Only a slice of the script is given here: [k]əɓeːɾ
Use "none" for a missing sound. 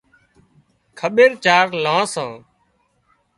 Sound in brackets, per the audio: kʰ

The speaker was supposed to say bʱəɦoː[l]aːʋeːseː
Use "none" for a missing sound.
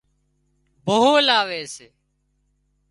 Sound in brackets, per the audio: l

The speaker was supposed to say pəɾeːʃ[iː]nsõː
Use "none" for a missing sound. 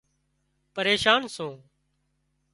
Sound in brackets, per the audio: aː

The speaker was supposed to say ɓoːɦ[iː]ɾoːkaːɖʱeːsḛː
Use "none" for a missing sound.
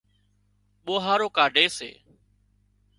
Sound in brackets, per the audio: aː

